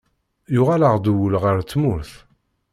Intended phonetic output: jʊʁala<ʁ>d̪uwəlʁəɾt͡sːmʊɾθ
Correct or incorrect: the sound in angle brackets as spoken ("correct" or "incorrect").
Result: correct